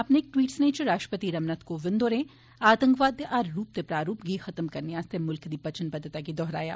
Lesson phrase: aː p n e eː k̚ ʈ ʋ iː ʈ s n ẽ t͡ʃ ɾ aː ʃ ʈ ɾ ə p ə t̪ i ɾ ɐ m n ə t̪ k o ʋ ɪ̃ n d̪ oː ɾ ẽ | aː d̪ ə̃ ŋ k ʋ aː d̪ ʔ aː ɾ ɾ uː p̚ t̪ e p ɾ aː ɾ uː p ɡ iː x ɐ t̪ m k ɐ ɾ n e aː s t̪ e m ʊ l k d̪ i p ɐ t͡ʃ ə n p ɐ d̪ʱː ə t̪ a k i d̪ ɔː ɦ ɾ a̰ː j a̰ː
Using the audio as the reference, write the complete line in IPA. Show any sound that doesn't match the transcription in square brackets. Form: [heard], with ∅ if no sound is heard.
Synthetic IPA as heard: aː p n e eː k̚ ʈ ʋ iː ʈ s n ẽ t͡ʃ ɾ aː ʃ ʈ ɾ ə p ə t̪ i ɾ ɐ m n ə t̪ k o ʋ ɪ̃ n d̪ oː ɾ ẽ | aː [t̪] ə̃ ŋ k ʋ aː d̪ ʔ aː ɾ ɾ uː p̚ t̪ e p ɾ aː ɾ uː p ɡ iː x ɐ t̪ m k ɐ ɾ n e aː s t̪ e m ʊ l k d̪ i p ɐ t͡ʃ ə n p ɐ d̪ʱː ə t̪ a k i d̪ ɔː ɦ ɾ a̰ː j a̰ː

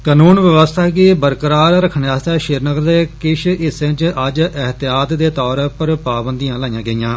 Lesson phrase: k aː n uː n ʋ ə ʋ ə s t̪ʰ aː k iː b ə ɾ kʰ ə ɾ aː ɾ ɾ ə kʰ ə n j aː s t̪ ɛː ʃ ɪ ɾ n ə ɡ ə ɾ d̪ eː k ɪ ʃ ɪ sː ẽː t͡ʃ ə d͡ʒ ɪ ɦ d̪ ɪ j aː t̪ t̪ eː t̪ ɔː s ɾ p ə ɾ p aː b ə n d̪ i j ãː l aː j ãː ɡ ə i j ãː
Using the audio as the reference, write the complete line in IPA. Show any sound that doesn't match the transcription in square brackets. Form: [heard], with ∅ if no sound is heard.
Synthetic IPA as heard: k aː n uː n ʋ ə ʋ ə s t̪ʰ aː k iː b ə ɾ [k] ə ɾ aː ɾ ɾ ə kʰ ə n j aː s t̪ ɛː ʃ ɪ ɾ n ə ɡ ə ɾ d̪ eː k ɪ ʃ ɪ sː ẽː t͡ʃ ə d͡ʒ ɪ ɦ [t̪] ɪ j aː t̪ [d̪] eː t̪ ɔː [∅] ɾ p ə ɾ p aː b ə n d̪ i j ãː l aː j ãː ɡ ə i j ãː

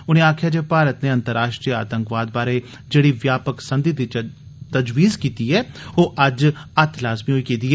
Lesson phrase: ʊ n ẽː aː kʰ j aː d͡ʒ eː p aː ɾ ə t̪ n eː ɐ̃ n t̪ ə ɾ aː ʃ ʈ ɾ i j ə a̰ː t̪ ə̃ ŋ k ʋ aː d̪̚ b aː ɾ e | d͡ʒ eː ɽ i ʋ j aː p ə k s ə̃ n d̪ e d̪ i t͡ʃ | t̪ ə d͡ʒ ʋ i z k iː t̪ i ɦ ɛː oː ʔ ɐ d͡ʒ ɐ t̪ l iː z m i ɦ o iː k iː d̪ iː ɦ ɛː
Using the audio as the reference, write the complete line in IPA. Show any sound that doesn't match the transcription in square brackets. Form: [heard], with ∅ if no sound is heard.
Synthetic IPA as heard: ʊ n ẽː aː kʰ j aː d͡ʒ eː p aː ɾ ə t̪ n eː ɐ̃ n t̪ ə ɾ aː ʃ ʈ ɾ i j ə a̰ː t̪ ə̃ ŋ k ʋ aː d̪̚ b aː ɾ e | d͡ʒ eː ɽ i ʋ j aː p ə k s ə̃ n d̪ [i] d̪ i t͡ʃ | t̪ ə d͡ʒ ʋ [iː] z k iː t̪ i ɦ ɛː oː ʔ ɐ d͡ʒ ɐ t̪ l [aː] z m i ɦ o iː k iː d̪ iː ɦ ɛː

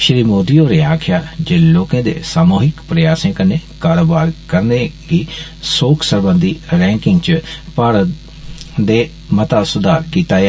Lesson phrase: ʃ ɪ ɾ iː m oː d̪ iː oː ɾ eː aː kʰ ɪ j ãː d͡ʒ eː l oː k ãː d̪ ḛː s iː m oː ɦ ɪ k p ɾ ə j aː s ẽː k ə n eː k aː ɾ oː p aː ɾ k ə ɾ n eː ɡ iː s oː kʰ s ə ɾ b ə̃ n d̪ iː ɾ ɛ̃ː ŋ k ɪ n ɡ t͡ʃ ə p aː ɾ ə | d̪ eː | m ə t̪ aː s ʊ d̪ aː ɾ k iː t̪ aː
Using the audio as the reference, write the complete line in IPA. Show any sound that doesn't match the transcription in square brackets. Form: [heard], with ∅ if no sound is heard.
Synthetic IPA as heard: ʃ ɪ ɾ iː m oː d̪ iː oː ɾ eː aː kʰ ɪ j [aː] d͡ʒ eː l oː k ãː d̪ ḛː s [aː] m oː ɦ ɪ k p ɾ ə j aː s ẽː k ə n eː k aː ɾ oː [b] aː ɾ k ə ɾ n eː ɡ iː s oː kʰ s ə ɾ b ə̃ n d̪ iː ɾ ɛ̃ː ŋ k ɪ [ŋ] ɡ t͡ʃ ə p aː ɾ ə | d̪ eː | m ə t̪ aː s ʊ d̪ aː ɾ k iː t̪ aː

